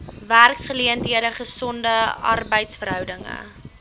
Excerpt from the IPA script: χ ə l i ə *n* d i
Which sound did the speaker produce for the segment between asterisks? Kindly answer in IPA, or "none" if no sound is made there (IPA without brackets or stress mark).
n